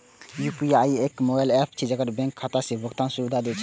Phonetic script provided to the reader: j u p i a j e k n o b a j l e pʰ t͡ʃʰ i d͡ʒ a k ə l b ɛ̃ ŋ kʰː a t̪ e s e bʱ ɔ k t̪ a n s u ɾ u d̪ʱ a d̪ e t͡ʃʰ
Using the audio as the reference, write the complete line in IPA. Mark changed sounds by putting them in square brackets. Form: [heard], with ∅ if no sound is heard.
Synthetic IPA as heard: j u p i a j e k [m] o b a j l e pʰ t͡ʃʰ i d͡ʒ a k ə [ɾ] b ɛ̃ ŋ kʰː a t̪ [a] s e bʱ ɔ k t̪ a n s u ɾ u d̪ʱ a d̪ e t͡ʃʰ